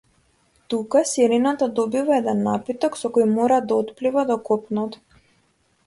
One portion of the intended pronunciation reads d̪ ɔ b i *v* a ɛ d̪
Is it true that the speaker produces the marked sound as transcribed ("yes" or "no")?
yes